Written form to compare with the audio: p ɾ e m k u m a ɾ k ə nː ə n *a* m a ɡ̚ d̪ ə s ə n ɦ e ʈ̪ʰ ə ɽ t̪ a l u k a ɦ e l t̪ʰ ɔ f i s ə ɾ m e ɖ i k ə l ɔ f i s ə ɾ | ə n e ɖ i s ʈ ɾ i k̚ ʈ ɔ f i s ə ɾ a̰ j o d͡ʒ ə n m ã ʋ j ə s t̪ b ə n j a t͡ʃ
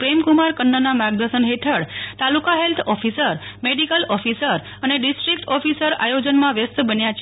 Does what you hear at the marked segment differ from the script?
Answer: no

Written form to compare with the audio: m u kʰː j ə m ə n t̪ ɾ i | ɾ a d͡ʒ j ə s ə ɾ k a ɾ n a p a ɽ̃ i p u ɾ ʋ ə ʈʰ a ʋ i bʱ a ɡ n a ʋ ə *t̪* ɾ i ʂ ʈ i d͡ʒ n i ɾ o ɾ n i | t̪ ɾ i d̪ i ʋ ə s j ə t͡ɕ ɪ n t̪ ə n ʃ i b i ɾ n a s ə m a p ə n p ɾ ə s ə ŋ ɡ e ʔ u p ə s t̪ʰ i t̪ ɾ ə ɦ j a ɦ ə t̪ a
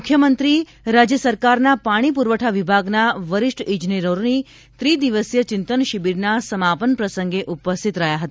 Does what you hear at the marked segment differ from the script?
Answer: yes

